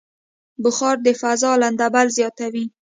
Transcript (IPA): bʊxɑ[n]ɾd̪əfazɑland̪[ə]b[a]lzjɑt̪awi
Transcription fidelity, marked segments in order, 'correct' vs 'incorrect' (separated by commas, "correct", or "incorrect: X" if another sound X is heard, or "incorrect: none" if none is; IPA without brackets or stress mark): incorrect: none, incorrect: a, correct